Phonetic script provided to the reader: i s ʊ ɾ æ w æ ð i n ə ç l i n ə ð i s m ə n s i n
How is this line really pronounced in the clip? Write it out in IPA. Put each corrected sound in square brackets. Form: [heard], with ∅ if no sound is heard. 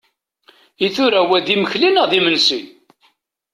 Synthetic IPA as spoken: i [θ] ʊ ɾ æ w æ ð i [m] ə ç l i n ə ð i [∅] m ə n s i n